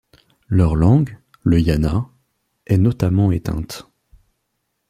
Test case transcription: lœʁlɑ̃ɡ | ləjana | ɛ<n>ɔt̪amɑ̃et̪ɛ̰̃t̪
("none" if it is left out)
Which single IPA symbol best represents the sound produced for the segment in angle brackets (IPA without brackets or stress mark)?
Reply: n